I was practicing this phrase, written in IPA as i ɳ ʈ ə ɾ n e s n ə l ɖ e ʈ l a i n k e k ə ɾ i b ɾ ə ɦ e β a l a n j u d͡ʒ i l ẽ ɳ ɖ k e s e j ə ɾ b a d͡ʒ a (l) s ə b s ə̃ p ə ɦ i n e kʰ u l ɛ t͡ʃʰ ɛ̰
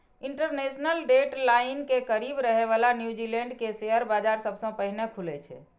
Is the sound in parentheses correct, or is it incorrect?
incorrect